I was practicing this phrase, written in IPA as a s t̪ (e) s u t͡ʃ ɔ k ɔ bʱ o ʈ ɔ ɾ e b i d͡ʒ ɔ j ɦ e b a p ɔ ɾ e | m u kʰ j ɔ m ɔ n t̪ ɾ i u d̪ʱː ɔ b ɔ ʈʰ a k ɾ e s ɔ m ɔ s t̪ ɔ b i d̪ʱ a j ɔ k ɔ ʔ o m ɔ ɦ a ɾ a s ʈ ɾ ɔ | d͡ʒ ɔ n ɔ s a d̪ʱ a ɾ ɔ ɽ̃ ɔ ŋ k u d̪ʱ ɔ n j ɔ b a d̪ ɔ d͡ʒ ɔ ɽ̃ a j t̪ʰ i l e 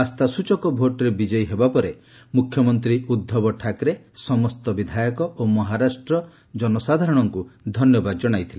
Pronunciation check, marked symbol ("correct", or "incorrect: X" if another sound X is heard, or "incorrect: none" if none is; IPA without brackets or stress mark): incorrect: a